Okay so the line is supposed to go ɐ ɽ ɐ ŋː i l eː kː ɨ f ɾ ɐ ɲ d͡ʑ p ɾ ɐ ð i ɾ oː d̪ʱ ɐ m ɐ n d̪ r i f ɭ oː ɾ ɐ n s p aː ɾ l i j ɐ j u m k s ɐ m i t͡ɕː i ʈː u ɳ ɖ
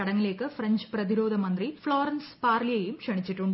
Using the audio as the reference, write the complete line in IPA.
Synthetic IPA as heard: ɐ ɽ ɐ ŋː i l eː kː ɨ f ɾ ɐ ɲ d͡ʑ p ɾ ɐ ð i ɾ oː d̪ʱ ɐ m ɐ n d̪ r i f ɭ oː ɾ ɐ n s p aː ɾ l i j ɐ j u m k ʂ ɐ ɳ i t͡ɕː i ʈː u ɳ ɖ